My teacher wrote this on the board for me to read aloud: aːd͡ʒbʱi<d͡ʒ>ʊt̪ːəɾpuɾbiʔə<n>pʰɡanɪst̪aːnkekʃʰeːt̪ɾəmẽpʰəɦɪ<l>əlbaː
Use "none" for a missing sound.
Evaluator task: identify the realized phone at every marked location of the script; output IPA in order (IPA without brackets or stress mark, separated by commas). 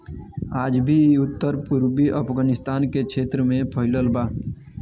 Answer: none, none, l